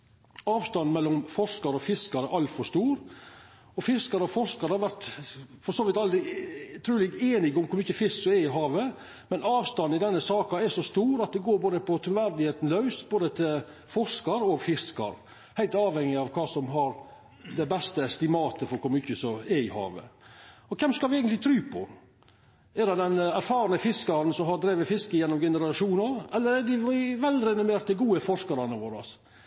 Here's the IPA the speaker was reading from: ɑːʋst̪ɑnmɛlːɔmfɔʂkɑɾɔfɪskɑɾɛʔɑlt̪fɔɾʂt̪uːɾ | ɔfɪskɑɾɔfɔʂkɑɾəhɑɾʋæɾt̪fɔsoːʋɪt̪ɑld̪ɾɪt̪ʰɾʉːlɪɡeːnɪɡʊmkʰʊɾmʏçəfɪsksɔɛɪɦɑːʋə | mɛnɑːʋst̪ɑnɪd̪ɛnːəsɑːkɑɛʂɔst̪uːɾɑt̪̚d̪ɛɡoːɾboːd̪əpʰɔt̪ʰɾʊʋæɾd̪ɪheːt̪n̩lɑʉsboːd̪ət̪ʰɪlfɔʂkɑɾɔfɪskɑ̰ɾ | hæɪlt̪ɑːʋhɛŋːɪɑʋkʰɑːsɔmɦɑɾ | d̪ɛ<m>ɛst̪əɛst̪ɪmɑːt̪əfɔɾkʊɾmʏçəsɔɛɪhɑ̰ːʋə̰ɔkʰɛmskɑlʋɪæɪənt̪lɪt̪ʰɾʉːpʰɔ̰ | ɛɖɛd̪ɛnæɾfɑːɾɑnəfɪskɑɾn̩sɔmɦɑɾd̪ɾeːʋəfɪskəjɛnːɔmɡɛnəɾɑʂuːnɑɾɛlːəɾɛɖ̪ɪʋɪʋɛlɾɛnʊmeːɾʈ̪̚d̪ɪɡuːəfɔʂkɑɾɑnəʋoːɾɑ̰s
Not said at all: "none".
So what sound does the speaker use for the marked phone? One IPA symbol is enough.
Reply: b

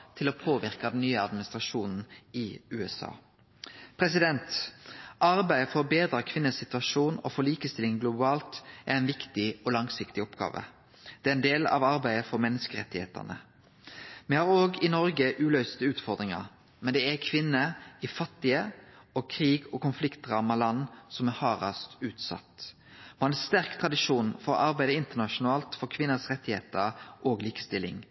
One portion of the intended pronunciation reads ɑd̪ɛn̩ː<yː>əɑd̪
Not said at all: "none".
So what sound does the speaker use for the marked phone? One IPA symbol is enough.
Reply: yː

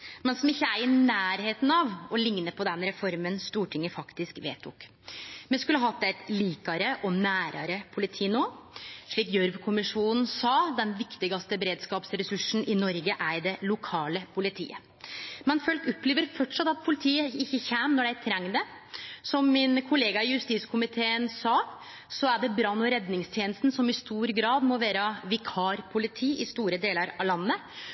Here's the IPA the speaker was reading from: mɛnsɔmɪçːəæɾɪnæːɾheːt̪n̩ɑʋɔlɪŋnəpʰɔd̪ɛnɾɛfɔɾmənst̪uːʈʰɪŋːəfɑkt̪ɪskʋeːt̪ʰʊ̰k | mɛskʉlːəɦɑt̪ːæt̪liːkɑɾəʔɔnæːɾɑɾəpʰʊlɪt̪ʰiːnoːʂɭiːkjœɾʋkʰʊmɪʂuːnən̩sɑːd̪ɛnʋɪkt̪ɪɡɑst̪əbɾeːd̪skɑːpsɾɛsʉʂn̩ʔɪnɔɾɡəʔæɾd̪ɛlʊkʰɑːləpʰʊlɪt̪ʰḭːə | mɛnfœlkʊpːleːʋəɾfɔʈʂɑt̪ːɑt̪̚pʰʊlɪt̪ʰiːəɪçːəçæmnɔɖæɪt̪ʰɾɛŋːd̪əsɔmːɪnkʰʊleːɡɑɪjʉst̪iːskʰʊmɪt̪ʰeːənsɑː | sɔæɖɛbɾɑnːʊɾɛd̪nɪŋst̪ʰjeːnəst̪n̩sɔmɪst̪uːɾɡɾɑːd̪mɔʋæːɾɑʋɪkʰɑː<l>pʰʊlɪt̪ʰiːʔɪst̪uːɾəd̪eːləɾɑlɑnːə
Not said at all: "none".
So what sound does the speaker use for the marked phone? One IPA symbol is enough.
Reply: ɾ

